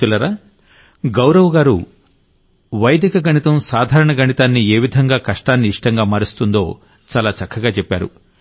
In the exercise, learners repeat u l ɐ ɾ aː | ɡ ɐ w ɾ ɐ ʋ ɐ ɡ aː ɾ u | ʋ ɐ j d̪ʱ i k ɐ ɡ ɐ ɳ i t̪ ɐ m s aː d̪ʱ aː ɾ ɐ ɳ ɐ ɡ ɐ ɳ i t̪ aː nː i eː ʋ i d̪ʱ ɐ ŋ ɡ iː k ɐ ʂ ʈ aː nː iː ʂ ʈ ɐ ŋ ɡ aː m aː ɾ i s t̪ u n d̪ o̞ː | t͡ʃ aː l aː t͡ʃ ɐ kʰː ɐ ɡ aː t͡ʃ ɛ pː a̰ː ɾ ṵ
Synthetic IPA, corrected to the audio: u l ɐ ɾ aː | ɡ ɐ w ɾ ɐ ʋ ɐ ɡ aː ɾ u | ʋ ɐ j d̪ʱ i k ɐ ɡ ɐ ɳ i t̪ ɐ m s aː d̪ʱ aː ɾ ɐ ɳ ɐ ɡ ɐ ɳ i t̪ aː nː i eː ʋ i d̪ʱ ɐ ŋ ɡ aː k ɐ ʂ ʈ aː nː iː ʂ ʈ ɐ ŋ ɡ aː m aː ɾ i s t̪ u n d̪ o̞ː | t͡ʃ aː l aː t͡ʃ ɐ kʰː ɐ ɡ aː t͡ʃ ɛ pː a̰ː ɾ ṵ